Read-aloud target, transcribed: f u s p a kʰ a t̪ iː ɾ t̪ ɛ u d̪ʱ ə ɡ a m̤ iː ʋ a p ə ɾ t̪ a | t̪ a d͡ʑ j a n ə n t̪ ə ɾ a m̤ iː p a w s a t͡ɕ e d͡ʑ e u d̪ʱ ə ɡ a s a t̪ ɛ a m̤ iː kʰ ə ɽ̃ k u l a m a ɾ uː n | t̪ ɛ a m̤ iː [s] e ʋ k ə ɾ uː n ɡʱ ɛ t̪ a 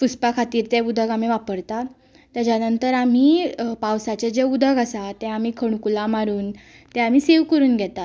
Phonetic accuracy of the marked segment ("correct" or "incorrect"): correct